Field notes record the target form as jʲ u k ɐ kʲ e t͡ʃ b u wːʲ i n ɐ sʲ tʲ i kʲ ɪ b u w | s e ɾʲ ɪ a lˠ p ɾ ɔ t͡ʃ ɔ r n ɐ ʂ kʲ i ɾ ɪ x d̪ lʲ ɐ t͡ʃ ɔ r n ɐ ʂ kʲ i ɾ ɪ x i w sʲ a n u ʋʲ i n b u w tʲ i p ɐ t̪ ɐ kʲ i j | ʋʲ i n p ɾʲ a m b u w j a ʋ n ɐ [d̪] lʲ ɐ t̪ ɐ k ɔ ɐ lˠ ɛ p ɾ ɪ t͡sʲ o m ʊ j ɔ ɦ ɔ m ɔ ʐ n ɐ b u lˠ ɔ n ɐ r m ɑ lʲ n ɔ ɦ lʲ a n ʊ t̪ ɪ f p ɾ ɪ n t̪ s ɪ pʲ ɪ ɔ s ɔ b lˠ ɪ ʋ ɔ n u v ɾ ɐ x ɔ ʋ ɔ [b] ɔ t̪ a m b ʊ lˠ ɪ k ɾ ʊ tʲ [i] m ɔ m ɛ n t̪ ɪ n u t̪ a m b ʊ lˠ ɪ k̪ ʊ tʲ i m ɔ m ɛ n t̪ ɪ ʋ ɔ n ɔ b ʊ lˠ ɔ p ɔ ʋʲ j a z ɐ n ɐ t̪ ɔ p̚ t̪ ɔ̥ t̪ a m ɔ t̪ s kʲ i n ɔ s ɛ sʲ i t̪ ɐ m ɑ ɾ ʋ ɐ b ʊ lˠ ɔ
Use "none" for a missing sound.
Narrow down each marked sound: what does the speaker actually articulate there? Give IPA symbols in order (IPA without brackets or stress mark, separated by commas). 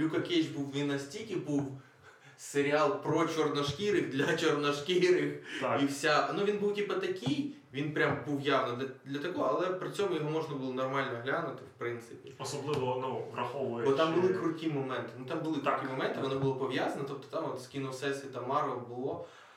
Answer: d̪, b, i